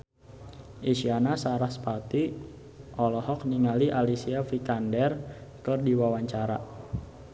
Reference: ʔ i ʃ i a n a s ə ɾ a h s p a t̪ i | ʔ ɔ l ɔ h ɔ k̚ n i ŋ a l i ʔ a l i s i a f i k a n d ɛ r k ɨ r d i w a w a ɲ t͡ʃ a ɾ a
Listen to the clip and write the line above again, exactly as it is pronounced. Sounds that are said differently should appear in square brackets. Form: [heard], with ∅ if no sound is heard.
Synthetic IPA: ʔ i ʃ i a n a s [a] ɾ a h s p a t̪ i | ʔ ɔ l ɔ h ɔ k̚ n i ŋ a l i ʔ a l i s i a f i k a n d ɛ r k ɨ r d i w a w a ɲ t͡ʃ a ɾ a